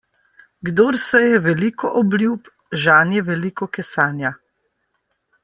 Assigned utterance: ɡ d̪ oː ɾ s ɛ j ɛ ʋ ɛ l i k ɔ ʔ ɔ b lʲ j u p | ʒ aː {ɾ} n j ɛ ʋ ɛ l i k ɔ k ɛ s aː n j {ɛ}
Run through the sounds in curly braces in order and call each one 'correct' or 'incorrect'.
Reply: incorrect: none, incorrect: a

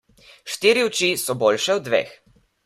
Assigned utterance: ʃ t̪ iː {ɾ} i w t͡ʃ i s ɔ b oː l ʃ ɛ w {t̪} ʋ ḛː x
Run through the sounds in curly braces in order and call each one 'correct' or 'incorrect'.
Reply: correct, incorrect: d̪

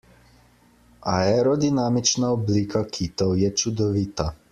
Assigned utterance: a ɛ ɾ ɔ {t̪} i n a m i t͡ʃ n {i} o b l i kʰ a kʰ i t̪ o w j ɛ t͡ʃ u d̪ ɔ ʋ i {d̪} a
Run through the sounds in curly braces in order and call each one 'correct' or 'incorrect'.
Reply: incorrect: d̪, incorrect: a, incorrect: t̪

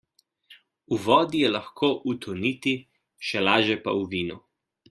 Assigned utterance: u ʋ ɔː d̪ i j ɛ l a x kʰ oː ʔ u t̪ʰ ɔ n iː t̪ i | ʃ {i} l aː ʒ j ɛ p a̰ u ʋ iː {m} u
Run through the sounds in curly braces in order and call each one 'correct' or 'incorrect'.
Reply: incorrect: ɛ, incorrect: n

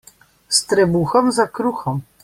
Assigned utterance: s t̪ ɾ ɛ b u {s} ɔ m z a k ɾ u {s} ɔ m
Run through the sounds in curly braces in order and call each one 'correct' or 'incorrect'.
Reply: incorrect: x, incorrect: x

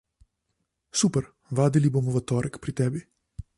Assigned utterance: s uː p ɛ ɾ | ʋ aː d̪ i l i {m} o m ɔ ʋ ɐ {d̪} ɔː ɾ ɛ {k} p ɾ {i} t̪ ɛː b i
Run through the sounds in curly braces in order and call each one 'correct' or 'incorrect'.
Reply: incorrect: b, incorrect: t̪, correct, correct

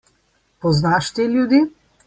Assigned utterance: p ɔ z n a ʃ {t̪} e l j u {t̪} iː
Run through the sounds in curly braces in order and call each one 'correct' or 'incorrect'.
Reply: correct, incorrect: d̪

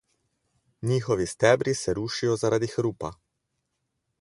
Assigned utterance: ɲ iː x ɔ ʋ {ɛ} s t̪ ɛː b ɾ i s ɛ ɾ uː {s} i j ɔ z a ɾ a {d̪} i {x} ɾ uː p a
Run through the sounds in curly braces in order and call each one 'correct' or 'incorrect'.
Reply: incorrect: i, incorrect: ʃ, correct, correct

